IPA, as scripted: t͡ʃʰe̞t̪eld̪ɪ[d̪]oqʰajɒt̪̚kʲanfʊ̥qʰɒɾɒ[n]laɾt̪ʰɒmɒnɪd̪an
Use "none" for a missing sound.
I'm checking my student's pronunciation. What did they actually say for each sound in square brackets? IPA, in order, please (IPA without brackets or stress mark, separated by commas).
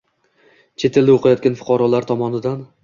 none, none